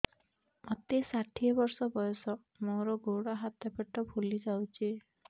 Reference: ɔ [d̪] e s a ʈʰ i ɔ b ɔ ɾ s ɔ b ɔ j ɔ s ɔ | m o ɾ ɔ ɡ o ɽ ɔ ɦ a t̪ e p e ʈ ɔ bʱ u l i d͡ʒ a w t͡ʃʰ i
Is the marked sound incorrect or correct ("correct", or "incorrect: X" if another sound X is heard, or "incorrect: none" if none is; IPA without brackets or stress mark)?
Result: incorrect: t̪